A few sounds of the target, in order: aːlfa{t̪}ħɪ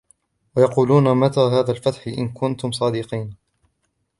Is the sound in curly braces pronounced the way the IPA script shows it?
yes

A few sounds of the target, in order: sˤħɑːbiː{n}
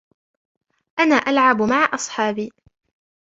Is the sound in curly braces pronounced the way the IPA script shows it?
no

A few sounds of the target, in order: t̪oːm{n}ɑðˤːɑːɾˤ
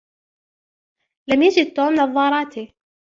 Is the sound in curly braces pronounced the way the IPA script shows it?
yes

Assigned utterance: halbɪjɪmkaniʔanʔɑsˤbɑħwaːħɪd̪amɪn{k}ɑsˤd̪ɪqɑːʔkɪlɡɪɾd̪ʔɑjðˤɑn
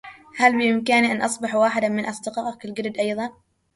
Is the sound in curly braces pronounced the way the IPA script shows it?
no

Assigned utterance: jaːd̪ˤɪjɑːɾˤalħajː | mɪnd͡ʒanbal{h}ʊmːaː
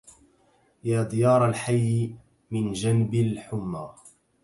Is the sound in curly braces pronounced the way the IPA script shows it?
no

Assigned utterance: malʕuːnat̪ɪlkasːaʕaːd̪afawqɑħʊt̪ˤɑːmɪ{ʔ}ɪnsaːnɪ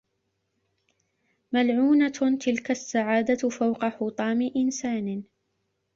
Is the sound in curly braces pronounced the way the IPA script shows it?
yes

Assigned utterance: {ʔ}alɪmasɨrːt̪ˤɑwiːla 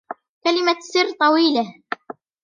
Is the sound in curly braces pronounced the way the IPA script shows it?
no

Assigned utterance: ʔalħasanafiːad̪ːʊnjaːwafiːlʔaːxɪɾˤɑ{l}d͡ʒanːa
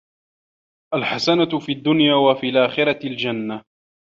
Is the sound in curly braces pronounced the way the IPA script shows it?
yes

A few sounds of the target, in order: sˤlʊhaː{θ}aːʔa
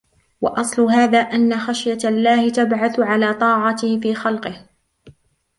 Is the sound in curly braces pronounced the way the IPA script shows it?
no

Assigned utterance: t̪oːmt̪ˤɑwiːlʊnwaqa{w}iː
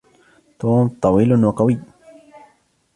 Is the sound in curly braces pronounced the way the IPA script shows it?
yes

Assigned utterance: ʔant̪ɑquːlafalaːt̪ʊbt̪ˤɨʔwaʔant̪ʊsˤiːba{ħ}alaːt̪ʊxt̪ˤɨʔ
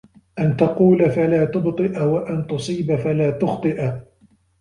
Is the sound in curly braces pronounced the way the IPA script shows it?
no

